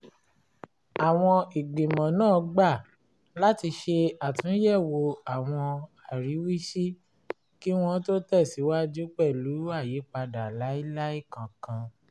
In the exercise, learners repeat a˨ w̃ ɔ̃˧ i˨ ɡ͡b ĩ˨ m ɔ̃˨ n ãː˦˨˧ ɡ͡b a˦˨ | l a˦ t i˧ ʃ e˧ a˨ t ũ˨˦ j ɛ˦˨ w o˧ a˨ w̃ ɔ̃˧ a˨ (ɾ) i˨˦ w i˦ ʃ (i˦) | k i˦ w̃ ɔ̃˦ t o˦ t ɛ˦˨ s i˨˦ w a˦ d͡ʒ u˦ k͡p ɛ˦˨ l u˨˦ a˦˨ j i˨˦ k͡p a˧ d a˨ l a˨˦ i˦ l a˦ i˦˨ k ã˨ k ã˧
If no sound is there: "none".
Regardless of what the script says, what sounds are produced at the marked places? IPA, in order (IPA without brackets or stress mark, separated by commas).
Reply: ɾ, i˦